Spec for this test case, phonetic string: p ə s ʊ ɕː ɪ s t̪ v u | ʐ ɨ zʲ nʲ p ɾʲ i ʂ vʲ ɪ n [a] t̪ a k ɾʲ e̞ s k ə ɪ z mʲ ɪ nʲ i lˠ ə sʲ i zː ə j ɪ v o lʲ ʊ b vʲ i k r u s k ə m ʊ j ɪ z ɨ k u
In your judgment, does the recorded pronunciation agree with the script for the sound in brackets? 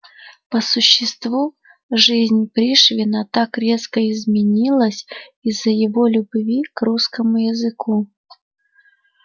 no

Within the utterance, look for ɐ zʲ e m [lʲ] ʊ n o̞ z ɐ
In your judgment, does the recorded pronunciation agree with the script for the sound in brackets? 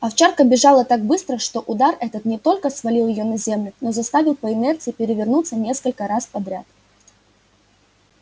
yes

